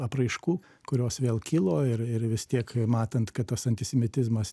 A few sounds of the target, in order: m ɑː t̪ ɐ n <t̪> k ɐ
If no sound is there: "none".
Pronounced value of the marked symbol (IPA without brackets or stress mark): t̪